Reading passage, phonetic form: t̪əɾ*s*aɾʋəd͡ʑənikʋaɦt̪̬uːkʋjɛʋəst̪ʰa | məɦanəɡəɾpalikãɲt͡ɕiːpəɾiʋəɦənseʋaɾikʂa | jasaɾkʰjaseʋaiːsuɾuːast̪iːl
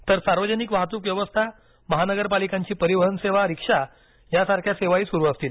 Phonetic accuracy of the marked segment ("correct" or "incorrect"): correct